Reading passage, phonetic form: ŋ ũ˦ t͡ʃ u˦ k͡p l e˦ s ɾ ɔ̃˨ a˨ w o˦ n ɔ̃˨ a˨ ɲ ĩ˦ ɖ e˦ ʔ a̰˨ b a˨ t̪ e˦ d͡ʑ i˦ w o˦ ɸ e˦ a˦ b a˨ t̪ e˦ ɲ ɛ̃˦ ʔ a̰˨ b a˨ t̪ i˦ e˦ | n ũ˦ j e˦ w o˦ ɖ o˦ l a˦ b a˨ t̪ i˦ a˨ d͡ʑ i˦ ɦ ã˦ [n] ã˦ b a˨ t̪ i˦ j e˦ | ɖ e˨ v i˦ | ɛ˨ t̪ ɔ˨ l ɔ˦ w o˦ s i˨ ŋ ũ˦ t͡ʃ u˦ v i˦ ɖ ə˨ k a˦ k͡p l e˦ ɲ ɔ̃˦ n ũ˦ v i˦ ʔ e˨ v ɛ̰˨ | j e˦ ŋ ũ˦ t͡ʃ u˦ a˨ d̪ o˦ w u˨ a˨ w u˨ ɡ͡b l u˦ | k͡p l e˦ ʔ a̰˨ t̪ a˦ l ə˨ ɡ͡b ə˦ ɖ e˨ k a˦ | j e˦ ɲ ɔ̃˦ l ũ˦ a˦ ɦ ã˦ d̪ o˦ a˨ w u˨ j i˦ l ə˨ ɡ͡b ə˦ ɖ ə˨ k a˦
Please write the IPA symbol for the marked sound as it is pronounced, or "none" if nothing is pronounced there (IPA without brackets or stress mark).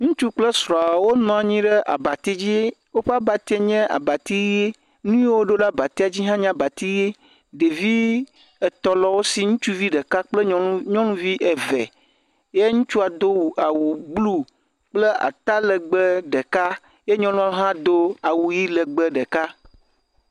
ɲ